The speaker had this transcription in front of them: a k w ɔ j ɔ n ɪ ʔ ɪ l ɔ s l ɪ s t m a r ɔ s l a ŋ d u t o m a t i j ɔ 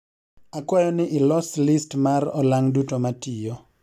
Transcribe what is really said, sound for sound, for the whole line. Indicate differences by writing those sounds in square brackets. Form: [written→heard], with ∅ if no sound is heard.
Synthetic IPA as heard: a k w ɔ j ɔ n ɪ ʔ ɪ l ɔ s l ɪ s t m a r ɔ [s→∅] l a ŋ d u t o m a t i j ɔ